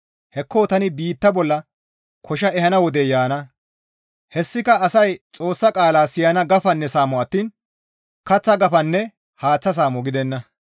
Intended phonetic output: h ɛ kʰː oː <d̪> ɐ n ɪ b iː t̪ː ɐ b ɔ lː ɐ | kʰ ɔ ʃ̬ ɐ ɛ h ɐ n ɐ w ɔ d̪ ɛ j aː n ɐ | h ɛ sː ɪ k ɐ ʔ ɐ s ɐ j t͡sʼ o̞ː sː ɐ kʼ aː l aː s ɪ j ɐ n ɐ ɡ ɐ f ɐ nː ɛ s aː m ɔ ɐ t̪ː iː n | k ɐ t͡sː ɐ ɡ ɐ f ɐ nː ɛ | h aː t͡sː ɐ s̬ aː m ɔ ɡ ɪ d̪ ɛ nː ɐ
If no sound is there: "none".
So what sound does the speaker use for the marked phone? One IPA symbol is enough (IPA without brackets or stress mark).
t̪